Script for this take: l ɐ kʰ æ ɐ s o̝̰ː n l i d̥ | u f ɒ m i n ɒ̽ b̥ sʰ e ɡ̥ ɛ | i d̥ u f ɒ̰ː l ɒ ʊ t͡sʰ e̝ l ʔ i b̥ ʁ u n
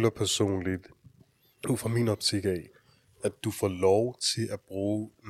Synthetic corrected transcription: l ɐ pʰ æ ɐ s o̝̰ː n l i d̥ | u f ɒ m i n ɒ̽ b̥ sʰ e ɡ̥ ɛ | æ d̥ u f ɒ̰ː l ɒ ʊ t͡sʰ e̝ l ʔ æ b̥ ʁ uː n